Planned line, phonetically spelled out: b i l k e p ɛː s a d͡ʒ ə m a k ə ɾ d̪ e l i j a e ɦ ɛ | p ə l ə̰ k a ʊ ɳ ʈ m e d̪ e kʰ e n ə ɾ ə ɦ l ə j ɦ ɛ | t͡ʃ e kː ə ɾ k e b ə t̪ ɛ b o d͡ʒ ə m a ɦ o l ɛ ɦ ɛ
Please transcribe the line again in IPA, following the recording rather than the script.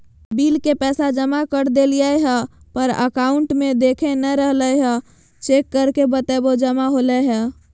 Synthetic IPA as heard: b i l k e p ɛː s a d͡ʒ ə m a k ə ɾ d̪ e l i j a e ɦ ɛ | p ə ɾ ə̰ k a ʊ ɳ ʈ m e d̪ e kʰ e n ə ɾ ə ɦ l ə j ɦ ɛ | t͡ʃ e kː ə ɾ k e b ə t̪ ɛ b o d͡ʒ ə m a ɦ o l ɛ ɦ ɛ